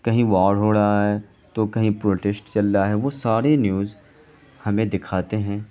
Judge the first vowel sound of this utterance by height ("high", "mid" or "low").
low